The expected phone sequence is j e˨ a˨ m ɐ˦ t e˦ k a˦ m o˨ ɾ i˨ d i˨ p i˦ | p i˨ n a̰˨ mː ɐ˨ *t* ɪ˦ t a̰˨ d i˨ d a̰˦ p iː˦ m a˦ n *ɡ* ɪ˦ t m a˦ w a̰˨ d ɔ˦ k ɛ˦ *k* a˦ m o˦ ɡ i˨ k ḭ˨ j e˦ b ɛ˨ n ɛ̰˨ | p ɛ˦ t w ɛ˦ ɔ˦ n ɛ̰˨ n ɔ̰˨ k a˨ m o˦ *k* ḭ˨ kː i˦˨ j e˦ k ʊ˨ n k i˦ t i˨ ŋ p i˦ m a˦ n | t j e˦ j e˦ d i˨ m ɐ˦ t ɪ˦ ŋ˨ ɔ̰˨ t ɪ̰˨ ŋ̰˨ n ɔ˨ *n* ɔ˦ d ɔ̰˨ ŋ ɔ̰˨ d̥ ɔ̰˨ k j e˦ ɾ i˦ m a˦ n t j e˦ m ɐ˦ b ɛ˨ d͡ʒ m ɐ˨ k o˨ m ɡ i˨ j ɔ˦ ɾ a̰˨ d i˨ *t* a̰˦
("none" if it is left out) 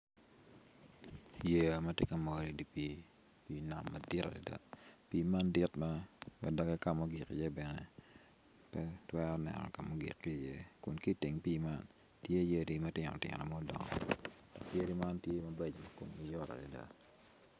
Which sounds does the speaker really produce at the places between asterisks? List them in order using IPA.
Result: d, d, k, ɡ, m, d

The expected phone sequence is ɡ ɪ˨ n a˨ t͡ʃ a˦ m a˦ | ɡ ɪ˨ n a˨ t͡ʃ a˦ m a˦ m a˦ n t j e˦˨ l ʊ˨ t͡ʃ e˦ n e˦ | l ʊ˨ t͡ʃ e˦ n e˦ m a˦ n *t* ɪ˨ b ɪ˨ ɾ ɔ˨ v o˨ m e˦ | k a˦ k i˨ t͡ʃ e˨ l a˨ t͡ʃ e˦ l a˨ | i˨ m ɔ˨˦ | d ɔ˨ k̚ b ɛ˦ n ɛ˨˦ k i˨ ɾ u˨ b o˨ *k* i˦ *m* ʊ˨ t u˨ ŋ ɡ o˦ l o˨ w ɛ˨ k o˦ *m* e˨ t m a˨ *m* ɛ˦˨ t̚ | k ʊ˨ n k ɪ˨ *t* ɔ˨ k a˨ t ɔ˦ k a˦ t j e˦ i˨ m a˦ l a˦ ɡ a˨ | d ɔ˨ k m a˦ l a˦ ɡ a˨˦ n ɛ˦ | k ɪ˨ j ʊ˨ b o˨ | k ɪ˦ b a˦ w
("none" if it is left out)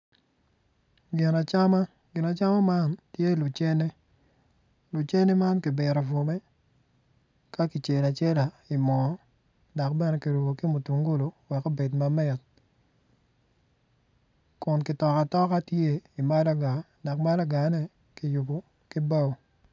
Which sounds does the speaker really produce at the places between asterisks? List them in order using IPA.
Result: k, k, m, b, m, t

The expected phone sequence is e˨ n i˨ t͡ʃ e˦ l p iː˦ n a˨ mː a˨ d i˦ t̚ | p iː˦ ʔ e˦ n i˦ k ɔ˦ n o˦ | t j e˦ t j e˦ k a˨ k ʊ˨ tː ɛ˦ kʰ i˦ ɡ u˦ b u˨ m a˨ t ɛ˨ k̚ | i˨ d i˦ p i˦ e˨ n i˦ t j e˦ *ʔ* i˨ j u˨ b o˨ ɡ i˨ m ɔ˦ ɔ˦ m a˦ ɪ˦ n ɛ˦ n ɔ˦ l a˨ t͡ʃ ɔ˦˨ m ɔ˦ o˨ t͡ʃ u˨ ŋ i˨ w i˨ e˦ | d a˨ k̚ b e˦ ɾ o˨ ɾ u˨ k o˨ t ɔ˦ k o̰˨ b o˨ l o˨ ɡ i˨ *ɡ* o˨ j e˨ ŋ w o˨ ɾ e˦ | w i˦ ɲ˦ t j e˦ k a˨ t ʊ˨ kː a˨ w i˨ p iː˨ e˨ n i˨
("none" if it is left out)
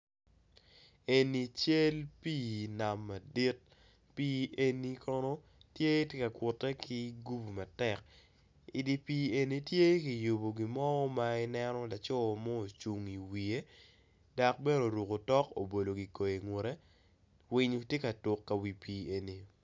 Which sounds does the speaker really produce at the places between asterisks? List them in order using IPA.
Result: k, k

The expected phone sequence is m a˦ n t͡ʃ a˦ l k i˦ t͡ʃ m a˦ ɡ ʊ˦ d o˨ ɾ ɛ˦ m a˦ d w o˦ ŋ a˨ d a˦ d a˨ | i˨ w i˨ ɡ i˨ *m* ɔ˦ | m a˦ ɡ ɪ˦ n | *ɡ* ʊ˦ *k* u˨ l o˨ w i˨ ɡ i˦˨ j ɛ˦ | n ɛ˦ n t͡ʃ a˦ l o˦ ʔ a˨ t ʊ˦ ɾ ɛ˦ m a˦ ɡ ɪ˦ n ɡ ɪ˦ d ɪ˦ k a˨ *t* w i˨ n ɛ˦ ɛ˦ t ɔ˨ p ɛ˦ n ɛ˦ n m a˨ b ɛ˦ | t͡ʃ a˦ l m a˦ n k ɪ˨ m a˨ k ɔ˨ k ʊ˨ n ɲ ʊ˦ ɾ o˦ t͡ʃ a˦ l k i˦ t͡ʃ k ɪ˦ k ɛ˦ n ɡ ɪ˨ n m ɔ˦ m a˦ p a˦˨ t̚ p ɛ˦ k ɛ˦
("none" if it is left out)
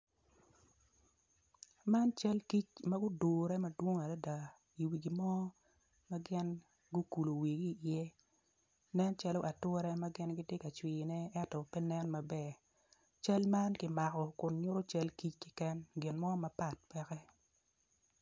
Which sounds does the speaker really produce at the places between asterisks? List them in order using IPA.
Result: m, ɡ, k, t͡ʃ

